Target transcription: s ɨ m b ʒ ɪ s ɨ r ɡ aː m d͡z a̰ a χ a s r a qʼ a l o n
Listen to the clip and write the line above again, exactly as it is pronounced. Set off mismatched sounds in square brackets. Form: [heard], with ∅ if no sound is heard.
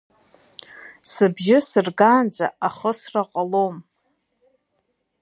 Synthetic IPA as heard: s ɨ [∅] b ʒ ɪ s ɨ r ɡ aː [n] d͡z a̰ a χ [ə] s r a qʼ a l o [m]